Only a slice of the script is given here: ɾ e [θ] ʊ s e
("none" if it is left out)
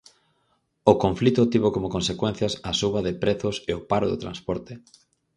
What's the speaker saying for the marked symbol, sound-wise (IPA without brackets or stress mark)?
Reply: θ